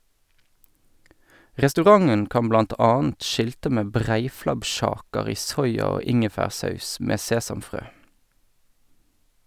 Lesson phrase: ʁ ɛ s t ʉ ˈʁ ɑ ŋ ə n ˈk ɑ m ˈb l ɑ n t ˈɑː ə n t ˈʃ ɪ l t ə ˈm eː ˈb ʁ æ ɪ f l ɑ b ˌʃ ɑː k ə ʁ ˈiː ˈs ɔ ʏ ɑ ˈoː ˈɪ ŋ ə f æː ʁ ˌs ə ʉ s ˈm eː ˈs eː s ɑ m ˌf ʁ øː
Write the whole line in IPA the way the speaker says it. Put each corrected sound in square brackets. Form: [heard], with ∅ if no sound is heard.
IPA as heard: ʁ ɛ s t ʉ ˈʁ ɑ ŋ ə n ˈk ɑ m ˈb l ɑ n t ˈɑː ə n t ˈʃ ɪ l t ə ˈm eː ˈb ʁ æ ɪ f l ɑ b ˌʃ ɑː k ə ʁ ˈiː ˈs ɔ ʏ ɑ ˈoː ˈɪ ŋ ə f æː ʁ ˌs [ɑ] ʉ s ˈm eː ˈs eː s ɑ m ˌf ʁ øː